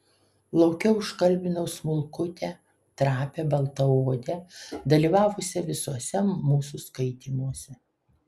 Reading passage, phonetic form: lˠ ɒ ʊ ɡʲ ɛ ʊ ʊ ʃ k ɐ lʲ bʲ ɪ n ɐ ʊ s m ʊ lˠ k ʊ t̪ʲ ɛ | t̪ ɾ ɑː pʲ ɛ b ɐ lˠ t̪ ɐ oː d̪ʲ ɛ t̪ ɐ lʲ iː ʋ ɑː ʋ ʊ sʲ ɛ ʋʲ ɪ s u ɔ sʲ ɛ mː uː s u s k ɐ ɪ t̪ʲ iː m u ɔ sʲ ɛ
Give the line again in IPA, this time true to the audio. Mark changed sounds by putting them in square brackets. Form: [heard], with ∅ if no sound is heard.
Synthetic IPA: lˠ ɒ ʊ [kʲ] ɛ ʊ ʊ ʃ k ɐ lʲ bʲ ɪ n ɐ ʊ s m ʊ lˠ k ʊ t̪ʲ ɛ | t̪ ɾ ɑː pʲ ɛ b ɐ lˠ t̪ ɐ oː d̪ʲ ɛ [d̪] ɐ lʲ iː ʋ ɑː ʋ ʊ sʲ ɛ ʋʲ ɪ s u ɔ sʲ ɛ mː uː s u s k ɐ ɪ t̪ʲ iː m u ɔ sʲ ɛ